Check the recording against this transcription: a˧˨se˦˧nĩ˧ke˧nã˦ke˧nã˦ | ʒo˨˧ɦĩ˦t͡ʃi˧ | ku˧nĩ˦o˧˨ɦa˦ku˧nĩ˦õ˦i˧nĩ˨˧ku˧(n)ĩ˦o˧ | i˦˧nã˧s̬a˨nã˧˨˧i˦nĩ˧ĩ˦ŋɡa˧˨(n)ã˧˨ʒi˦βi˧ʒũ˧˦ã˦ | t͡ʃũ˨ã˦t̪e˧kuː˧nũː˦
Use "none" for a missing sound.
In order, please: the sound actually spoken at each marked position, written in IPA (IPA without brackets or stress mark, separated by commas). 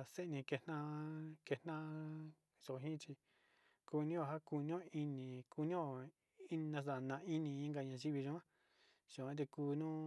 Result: n, ɲ